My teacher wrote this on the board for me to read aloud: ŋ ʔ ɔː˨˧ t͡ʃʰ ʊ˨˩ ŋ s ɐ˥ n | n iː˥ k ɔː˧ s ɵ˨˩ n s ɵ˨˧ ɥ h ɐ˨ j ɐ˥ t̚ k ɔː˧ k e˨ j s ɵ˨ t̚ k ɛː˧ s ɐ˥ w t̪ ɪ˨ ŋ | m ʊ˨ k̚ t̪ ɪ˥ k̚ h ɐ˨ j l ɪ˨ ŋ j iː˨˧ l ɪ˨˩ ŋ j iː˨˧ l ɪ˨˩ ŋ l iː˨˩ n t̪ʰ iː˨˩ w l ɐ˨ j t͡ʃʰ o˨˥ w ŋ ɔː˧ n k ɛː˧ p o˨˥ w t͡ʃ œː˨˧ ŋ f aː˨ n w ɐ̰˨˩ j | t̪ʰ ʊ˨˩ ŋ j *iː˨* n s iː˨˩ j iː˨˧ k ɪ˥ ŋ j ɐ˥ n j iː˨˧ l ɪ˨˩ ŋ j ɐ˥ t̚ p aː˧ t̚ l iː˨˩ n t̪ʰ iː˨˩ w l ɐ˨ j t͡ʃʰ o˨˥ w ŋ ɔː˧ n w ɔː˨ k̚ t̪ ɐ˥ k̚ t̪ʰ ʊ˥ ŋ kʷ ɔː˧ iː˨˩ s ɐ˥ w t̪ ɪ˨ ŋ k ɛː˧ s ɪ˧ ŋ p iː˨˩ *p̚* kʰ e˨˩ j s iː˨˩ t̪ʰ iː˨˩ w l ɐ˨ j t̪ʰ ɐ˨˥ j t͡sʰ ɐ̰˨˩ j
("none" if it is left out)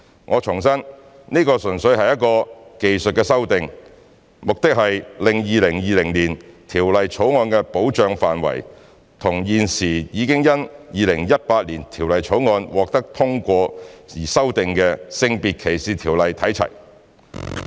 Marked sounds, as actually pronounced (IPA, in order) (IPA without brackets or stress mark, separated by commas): iː˨, t̚